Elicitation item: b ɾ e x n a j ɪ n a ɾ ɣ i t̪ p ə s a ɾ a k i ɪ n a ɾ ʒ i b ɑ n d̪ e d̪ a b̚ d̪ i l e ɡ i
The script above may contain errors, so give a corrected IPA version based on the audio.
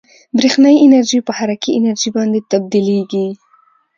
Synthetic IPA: b ɾ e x n a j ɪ n a ɾ ʒ i p ə h a ɾ a k i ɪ n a ɾ ʒ i b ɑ n d̪ e t̪ a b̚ d̪ i l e ɡ i